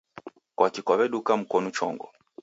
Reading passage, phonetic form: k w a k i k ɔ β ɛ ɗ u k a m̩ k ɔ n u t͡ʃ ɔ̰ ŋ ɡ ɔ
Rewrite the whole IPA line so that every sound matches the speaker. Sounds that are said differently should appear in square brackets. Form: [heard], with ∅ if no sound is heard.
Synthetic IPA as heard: k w a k i k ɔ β ɛ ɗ u k a m̩ k ɔ n u t͡ʃ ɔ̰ ŋ ɡ ɔ

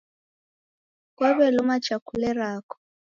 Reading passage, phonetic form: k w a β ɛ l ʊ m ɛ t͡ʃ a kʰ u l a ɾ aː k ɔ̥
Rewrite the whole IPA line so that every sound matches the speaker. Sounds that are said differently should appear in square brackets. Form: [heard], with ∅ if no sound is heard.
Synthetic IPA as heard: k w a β ɛ l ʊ m [a] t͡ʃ a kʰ u l [ɛ] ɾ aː k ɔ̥

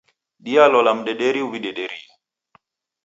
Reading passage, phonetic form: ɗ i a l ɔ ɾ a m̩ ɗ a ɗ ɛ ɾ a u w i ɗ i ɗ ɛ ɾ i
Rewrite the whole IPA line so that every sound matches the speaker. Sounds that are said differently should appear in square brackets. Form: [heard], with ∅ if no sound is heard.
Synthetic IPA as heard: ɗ i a l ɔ [l] a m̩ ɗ [ɛ] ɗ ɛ ɾ [i] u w i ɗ [ɛ] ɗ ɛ ɾ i

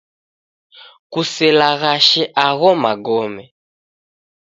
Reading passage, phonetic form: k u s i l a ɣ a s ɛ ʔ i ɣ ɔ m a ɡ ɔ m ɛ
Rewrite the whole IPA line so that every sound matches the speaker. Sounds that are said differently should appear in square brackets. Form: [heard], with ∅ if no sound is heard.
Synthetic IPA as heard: k u s [ɛ] l a ɣ a [ʃ] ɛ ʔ [a] ɣ ɔ m a ɡ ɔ m ɛ

